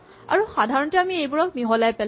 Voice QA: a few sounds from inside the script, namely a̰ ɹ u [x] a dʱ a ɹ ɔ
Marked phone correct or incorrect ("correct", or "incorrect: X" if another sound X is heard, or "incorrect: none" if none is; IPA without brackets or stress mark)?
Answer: correct